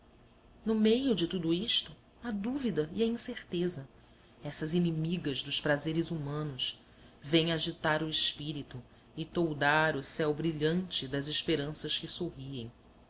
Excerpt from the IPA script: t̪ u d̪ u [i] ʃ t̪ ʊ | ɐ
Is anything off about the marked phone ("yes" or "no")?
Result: no